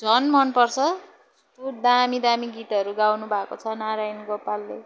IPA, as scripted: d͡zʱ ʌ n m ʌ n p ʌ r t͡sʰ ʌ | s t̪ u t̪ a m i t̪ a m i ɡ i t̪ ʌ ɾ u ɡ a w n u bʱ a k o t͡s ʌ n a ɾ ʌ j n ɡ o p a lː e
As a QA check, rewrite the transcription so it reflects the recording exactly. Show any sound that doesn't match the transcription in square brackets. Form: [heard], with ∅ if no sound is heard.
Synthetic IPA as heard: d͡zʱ ʌ n m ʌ n p ʌ r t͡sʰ ʌ | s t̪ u [d̪] a m i [d̪] a m i ɡ i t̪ ʌ ɾ u ɡ a w n u bʱ a k o [t͡sʰ] ʌ n a ɾ [a] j n ɡ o p a lː e